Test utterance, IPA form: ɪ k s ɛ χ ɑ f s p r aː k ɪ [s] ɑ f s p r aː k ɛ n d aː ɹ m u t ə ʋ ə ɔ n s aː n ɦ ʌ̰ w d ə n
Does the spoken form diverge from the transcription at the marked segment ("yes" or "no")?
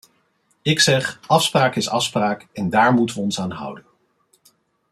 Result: no